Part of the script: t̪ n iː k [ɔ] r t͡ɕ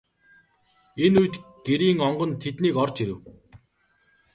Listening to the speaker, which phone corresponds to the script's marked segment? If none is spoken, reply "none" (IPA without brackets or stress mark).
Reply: ɔ